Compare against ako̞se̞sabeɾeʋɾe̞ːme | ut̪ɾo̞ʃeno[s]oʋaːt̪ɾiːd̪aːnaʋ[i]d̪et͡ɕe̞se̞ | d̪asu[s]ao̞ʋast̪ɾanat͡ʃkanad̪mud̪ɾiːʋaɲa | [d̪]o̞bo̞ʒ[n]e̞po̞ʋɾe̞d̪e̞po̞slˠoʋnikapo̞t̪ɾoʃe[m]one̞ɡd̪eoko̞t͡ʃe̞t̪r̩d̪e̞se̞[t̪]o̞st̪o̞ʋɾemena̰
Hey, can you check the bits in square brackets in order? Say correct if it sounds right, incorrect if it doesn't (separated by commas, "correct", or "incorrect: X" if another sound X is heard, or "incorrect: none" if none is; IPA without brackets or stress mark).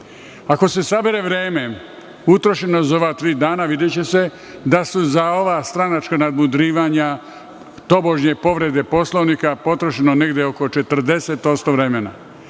incorrect: z, correct, incorrect: z, incorrect: t̪, incorrect: ɲ, incorrect: n, correct